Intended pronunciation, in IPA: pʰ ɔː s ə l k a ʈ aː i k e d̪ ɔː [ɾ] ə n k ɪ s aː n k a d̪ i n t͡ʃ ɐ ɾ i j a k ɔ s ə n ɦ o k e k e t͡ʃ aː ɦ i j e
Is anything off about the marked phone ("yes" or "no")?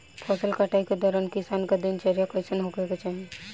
no